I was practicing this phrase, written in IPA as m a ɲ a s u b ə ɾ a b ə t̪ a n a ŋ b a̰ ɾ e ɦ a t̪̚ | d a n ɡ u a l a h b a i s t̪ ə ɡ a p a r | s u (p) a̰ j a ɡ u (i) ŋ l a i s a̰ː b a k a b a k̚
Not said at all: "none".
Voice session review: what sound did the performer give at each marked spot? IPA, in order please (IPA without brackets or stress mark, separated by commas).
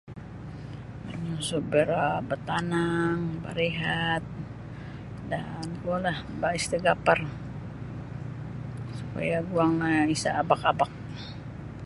p, a